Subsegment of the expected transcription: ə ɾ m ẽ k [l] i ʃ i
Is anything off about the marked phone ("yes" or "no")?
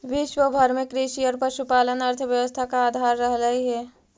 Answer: yes